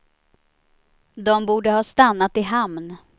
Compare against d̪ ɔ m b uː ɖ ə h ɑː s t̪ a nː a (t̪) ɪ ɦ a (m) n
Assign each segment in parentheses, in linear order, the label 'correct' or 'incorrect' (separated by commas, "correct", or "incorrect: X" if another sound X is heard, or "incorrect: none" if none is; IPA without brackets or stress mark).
correct, correct